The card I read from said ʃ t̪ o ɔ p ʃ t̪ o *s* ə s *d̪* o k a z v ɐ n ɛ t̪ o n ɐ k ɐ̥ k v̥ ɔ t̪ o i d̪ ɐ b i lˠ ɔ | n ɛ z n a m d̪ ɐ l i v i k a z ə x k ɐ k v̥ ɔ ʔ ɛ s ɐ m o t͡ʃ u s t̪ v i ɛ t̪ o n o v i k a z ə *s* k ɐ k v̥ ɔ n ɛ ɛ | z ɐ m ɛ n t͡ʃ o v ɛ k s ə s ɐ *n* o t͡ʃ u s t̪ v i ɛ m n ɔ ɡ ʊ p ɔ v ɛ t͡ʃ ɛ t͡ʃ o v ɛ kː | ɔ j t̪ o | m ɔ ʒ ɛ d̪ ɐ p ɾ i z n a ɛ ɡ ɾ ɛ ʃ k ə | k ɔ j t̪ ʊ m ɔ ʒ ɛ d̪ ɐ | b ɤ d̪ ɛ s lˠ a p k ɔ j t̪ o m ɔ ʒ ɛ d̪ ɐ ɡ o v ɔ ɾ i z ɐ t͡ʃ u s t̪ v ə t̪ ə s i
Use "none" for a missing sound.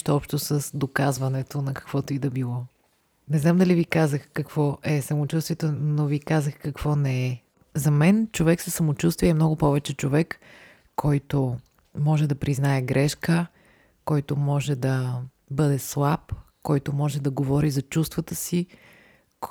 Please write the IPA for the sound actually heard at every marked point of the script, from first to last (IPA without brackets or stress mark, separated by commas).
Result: s, d̪, x, m